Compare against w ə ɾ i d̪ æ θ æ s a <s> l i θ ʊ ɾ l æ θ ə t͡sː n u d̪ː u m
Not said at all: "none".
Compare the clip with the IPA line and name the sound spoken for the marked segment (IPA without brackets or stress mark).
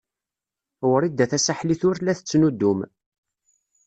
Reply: ħ